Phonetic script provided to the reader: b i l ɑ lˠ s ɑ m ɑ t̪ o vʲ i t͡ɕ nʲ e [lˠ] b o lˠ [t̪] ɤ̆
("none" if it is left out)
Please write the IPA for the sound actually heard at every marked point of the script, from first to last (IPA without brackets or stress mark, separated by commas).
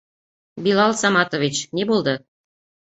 none, d̪